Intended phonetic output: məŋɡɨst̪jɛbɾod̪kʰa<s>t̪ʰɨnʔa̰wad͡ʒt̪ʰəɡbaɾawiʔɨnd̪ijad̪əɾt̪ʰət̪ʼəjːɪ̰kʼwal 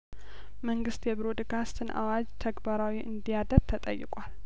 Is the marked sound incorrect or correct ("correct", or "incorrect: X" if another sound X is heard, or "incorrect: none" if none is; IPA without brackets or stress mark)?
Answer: correct